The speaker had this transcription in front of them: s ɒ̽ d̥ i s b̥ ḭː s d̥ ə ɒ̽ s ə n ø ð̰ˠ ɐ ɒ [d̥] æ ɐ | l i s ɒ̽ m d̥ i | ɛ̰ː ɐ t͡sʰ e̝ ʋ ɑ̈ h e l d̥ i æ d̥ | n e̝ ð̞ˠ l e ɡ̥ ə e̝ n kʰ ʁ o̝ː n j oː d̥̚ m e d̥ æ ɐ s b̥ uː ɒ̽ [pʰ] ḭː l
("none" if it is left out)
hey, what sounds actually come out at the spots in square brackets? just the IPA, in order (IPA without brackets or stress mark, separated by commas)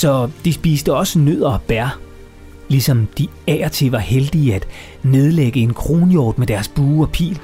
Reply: b̥, pʰ